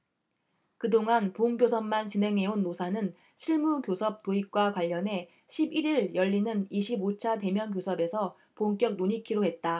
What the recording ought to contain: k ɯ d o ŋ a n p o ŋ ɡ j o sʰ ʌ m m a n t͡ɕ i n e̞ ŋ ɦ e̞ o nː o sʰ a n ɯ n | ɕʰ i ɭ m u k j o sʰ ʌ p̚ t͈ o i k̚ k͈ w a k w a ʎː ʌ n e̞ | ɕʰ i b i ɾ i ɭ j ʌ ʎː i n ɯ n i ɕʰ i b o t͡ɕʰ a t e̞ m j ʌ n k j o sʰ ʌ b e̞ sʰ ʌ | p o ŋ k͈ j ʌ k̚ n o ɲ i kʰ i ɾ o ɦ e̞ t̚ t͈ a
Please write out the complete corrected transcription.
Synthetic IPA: k ɯ d o ŋ a n p o ŋ ɡ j o sʰ ʌ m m a n t͡ɕ i n e̞ ŋ ɦ e̞ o nː o sʰ a n ɯ n | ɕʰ i ɭ m u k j o sʰ ʌ p̚ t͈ o i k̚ k͈ w a k w a ʎː ʌ n e̞ | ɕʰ i b i ɾ i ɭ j ʌ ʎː i n ɯ n i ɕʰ i b o t͡ɕʰ a t e̞ m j ʌ n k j o sʰ ʌ b e̞ sʰ ʌ | p o ŋ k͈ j ʌ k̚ n o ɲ i kʰ i ɾ o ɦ e̞ t̚ t͈ a